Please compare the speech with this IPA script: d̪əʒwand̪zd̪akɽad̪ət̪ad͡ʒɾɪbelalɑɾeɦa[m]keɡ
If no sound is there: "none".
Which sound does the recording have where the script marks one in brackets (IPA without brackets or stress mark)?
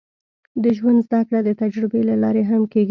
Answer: m